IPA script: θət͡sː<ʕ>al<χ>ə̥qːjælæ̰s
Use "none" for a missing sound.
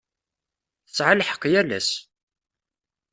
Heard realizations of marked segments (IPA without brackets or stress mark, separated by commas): ʕ, ħ